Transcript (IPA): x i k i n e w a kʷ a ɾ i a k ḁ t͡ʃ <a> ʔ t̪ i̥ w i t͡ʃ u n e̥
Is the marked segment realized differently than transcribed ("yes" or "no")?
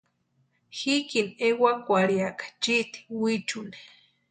yes